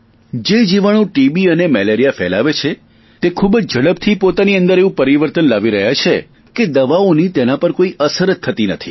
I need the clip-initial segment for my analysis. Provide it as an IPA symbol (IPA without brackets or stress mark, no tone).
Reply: d͡ʒ